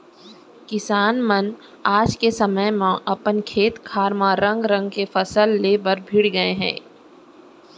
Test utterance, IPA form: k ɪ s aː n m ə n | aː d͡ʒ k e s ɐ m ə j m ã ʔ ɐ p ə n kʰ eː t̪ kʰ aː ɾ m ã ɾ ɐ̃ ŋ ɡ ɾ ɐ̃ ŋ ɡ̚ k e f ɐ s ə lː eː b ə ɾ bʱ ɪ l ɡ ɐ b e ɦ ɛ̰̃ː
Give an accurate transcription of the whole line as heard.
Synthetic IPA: k ɪ s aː n m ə n | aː d͡ʒ k e s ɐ m ə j m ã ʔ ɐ p ə n kʰ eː t̪ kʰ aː ɾ m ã ɾ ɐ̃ ŋ ɡ ɾ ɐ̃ ŋ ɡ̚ k e f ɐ s ə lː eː b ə ɾ bʱ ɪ ɽ ɡ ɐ e ɦ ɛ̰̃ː